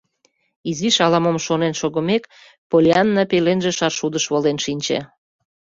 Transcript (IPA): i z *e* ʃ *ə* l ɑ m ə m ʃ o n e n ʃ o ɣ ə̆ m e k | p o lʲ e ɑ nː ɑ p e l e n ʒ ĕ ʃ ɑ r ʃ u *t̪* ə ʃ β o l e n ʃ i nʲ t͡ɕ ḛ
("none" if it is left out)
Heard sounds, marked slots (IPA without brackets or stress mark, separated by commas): i, ɑ, d̪